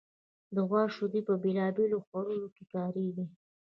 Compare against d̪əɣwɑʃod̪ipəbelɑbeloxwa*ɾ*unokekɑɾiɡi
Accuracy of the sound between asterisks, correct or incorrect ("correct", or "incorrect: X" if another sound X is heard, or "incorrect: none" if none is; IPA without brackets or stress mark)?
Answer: correct